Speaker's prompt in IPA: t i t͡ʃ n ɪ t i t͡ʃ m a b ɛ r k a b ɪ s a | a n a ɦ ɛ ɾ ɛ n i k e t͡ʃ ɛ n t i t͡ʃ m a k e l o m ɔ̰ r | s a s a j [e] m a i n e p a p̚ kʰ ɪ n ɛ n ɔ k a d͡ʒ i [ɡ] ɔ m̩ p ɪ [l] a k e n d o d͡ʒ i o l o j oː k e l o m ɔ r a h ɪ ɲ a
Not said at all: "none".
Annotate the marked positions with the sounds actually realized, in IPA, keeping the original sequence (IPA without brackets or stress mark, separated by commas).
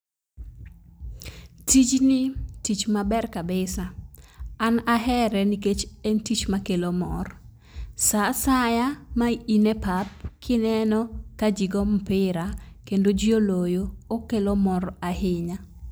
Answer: a, ɡ, ɾ